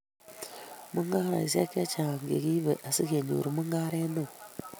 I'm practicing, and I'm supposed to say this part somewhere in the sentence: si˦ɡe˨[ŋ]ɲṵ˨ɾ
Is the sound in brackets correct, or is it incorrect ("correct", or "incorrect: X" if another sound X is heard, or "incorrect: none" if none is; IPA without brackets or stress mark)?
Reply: incorrect: none